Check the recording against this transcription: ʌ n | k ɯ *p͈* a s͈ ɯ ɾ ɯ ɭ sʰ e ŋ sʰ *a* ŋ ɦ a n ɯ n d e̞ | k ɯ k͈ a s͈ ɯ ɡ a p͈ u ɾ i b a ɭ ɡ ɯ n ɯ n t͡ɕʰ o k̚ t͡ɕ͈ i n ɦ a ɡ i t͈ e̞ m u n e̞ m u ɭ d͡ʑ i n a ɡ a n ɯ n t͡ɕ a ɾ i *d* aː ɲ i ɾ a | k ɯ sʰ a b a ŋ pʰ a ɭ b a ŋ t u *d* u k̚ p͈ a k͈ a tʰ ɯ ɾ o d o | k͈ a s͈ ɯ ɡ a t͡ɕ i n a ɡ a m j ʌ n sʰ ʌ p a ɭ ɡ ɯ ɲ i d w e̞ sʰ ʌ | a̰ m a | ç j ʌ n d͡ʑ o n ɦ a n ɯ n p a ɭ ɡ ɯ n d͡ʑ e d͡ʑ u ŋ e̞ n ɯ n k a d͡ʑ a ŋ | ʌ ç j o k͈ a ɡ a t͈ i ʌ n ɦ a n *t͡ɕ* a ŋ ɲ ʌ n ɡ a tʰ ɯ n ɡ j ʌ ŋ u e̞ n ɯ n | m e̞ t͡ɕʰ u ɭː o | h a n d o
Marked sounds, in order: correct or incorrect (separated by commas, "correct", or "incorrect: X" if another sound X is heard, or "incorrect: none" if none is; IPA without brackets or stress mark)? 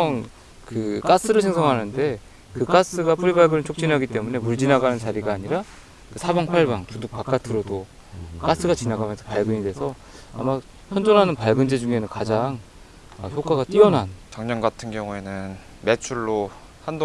incorrect: k͈, incorrect: ʌ, incorrect: ɡ, correct, correct